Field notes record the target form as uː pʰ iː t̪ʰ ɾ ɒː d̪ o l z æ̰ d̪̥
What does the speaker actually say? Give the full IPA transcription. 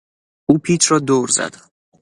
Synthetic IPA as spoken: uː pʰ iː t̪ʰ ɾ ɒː d̪ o ɾ z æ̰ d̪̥